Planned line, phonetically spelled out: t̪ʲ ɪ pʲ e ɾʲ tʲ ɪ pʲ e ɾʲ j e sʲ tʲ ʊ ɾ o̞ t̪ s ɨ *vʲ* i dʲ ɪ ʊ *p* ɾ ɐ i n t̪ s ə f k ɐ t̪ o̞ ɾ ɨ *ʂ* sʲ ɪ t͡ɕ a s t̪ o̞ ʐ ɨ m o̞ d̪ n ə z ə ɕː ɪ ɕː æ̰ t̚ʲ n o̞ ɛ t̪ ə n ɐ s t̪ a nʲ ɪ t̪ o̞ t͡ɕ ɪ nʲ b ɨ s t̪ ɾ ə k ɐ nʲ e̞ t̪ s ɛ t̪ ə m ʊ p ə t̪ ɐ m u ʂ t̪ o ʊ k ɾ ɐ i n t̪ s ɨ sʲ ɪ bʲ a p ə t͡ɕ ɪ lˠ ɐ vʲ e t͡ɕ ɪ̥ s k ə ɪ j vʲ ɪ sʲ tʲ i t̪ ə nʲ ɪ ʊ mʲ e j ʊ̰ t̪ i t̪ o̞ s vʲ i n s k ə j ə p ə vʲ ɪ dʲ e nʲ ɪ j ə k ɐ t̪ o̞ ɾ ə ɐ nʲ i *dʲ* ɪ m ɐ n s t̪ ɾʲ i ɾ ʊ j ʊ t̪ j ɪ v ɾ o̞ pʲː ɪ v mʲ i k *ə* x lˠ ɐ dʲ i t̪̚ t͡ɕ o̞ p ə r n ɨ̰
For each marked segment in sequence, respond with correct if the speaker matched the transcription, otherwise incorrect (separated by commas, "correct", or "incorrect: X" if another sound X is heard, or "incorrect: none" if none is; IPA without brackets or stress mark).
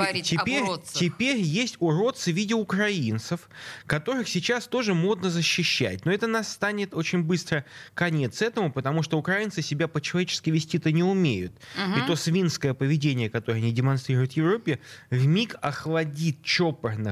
correct, incorrect: k, incorrect: x, correct, incorrect: ɐ